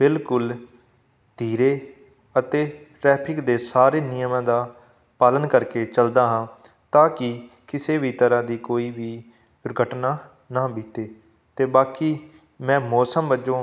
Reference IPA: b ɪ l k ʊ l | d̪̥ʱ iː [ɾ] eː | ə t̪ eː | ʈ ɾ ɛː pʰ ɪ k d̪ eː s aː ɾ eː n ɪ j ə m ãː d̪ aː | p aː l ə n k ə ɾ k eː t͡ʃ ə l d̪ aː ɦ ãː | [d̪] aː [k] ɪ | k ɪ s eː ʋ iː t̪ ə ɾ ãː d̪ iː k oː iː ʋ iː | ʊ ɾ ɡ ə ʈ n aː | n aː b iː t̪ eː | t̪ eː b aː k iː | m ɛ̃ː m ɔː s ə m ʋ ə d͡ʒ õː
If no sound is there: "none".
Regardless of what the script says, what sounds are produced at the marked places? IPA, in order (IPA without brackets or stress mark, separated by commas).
ɾ, t̪, k